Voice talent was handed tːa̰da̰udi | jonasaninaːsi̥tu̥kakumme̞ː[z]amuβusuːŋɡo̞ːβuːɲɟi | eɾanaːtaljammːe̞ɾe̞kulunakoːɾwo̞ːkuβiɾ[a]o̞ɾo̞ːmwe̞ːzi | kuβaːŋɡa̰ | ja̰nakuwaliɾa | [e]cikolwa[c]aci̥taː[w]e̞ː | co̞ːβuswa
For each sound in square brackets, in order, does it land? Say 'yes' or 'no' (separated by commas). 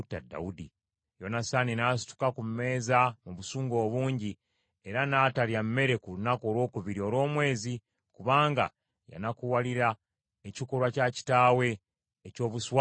yes, no, yes, yes, yes